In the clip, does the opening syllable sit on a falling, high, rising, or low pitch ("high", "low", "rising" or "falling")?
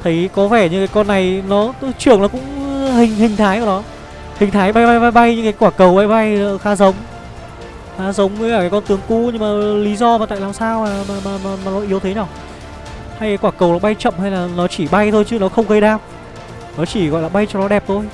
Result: rising